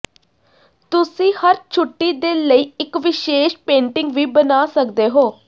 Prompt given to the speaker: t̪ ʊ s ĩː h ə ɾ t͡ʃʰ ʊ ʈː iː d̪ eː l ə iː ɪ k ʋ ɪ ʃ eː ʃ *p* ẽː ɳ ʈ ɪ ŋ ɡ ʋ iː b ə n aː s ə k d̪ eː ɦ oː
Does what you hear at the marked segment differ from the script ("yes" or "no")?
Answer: no